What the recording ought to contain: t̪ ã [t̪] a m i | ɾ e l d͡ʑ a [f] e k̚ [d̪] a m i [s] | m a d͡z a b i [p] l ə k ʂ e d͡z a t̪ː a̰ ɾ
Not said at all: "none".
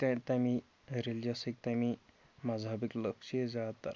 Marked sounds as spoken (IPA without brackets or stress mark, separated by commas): t̪, s, t̪, none, k